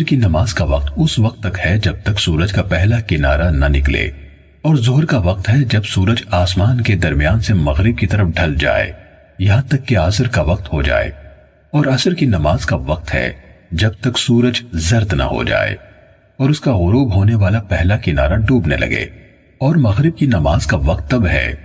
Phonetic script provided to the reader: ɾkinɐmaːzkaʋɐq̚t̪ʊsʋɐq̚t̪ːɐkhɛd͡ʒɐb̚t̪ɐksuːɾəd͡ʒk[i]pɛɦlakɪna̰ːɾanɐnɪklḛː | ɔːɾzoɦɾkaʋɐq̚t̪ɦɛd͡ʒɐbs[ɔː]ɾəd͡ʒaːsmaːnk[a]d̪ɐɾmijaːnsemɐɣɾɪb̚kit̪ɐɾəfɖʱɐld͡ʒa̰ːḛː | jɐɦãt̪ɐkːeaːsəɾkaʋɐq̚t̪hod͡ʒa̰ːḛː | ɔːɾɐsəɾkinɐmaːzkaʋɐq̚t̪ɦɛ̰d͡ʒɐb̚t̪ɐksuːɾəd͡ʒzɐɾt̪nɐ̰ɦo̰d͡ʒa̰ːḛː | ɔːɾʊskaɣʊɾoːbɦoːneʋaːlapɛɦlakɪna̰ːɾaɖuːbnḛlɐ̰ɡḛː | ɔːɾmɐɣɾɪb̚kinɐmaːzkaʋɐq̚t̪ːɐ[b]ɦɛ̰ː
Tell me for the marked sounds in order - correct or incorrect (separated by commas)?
incorrect, incorrect, incorrect, correct